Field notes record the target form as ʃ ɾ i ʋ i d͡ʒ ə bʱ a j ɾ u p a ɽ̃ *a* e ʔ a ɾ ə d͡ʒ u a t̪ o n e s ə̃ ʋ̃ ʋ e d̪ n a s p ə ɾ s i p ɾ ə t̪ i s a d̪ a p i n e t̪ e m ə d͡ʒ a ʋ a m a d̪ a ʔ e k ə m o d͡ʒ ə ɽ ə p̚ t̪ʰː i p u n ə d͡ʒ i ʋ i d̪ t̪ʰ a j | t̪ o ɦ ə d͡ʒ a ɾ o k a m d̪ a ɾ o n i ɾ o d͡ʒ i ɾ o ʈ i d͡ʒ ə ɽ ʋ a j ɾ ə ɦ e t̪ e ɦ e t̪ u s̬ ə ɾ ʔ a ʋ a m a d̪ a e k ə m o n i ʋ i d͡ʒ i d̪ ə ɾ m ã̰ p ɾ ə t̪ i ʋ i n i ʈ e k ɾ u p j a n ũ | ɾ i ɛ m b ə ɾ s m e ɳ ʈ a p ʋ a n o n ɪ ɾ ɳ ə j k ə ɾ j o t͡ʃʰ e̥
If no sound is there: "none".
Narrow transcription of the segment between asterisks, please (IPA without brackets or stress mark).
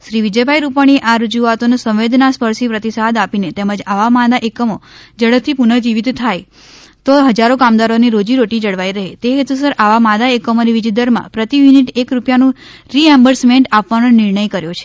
i